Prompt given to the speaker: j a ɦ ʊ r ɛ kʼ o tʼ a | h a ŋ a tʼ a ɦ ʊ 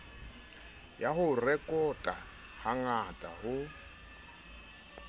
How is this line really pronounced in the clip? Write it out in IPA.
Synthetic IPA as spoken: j a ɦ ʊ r ɛ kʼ ɔ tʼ a | h a ŋ a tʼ a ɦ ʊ